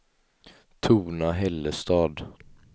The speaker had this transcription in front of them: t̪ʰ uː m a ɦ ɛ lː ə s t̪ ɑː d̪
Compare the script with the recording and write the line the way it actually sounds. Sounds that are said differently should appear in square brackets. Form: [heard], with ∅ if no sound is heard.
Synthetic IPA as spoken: t̪ʰ uː [n] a ɦ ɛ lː ə s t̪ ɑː d̪